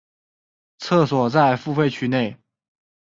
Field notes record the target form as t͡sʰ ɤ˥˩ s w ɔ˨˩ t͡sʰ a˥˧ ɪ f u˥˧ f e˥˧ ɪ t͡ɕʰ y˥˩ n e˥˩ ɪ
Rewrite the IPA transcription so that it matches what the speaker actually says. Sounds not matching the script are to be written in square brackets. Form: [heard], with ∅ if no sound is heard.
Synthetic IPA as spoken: t͡sʰ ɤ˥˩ s w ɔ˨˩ [t͡s] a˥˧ ɪ f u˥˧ f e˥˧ ɪ t͡ɕʰ [y˧˥] n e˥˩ ɪ

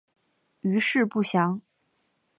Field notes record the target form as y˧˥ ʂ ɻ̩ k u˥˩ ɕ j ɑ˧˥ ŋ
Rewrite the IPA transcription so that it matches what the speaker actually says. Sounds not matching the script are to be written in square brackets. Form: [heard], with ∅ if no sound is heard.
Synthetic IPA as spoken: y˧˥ ʂ ɻ̩ [p] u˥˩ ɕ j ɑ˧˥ ŋ

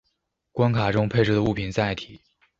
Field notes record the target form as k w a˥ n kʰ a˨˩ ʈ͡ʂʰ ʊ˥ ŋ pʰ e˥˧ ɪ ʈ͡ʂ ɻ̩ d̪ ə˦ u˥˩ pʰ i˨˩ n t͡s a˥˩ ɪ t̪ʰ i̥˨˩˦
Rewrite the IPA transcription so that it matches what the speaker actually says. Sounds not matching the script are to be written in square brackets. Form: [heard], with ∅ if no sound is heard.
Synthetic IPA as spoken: k w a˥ n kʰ a˨˩ [ʈ͡ʂ] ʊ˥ ŋ pʰ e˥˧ ɪ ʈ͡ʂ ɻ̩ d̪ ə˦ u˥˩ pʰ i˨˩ n t͡s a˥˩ ɪ t̪ʰ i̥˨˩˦

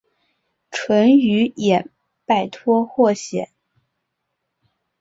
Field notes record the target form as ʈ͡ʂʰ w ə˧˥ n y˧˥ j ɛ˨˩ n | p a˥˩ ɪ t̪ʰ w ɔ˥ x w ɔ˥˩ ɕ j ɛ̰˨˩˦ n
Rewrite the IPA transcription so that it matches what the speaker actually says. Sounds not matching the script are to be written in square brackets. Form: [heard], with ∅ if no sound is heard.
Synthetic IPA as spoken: ʈ͡ʂʰ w ə˧˥ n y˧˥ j ɛ˨˩ n | p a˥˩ ɪ t̪ʰ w ɔ˥ x w ɔ˥˩ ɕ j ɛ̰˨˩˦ n

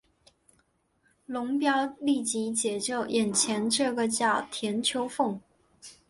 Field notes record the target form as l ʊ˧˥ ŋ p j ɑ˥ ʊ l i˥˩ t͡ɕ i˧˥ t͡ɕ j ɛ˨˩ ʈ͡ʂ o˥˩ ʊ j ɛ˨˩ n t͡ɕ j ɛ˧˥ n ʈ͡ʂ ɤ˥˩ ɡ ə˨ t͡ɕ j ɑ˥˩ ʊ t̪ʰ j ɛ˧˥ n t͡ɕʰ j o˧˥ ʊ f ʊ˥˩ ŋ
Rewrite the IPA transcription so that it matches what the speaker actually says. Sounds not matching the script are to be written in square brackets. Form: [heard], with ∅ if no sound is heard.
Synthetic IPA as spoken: l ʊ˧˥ ŋ p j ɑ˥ ʊ l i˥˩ t͡ɕ i˧˥ t͡ɕ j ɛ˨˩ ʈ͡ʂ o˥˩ ʊ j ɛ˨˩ n [t͡ɕʰ] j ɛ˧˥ n ʈ͡ʂ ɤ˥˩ ɡ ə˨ t͡ɕ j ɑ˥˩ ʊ t̪ʰ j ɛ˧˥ n t͡ɕʰ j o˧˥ ʊ f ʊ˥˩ ŋ

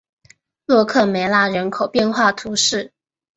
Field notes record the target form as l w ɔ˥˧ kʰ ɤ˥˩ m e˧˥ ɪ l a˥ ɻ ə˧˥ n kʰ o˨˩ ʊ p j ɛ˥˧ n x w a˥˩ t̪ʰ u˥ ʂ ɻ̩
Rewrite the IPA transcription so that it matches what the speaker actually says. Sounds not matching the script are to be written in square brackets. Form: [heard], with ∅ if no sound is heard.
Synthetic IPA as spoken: l w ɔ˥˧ kʰ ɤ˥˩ m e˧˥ ɪ l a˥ ɻ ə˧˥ n kʰ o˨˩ ʊ p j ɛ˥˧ n x w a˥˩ t̪ʰ [u˧˥] ʂ ɻ̩

